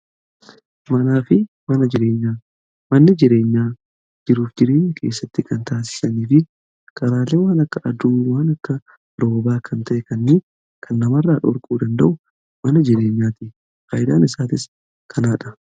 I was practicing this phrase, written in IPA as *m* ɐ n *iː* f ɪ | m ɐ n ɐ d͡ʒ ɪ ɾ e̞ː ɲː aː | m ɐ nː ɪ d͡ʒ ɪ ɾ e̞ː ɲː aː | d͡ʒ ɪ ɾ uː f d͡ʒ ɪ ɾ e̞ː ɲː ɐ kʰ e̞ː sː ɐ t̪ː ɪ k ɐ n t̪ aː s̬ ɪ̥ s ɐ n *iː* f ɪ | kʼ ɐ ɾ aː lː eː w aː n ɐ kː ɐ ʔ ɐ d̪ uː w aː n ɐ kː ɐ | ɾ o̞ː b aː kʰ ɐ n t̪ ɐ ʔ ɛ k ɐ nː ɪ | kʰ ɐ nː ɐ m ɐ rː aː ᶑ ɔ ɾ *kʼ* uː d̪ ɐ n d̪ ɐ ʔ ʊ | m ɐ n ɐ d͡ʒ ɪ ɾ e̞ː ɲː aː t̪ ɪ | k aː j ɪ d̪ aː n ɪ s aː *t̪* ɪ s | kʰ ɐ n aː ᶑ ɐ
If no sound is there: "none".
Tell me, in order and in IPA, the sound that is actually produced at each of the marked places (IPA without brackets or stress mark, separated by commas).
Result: m, aː, iː, kʼ, t̪